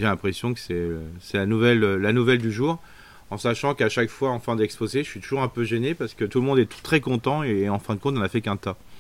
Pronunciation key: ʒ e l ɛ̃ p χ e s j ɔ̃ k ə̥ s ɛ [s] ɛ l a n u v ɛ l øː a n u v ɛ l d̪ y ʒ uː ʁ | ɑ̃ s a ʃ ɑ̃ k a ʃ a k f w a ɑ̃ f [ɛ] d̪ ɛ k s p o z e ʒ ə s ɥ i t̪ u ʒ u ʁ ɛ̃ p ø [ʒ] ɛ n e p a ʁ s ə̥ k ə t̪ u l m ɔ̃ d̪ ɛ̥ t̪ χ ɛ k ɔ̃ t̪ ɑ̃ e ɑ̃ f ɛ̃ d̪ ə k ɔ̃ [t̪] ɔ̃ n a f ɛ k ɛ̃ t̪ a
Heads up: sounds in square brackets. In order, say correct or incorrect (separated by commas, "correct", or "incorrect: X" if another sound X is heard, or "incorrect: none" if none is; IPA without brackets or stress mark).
correct, incorrect: ɛ̃, correct, correct